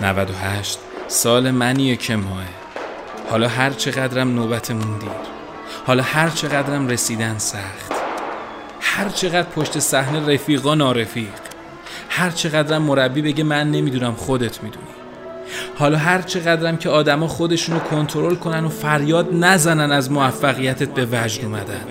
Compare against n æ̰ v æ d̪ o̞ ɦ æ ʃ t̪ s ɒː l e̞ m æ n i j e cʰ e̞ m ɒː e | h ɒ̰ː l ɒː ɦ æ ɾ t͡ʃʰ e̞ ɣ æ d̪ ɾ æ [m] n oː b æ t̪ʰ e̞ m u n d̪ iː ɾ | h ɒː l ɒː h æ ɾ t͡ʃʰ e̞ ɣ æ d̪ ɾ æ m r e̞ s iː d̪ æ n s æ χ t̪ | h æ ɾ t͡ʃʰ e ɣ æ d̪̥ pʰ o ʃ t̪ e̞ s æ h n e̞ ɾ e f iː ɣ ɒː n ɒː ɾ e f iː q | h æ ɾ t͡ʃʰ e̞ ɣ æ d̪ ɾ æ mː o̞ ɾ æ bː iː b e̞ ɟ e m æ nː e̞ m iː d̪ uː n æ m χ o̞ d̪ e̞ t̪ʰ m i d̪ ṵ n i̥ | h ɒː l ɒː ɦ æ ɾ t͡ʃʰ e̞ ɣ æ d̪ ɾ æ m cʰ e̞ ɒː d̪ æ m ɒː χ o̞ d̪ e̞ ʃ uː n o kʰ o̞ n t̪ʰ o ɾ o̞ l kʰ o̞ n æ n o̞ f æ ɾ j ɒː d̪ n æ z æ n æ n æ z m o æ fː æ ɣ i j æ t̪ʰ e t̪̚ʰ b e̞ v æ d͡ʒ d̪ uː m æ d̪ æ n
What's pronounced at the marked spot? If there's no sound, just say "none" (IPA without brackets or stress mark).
m